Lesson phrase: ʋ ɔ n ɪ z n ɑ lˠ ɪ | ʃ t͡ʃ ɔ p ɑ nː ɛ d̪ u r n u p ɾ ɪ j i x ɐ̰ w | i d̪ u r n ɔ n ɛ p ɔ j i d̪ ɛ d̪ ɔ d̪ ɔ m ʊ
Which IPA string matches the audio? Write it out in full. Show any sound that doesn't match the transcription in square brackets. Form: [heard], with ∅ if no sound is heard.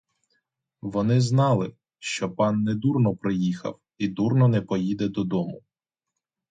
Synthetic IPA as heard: ʋ ɔ n ɪ z n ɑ lˠ ɪ | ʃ t͡ʃ ɔ p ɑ nː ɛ d̪ u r n [ɔ] p ɾ ɪ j i x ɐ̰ w | i d̪ u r n ɔ n ɛ p ɔ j i d̪ ɛ d̪ ɔ d̪ ɔ m ʊ